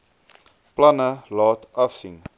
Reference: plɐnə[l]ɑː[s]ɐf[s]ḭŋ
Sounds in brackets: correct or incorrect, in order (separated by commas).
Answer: correct, incorrect, correct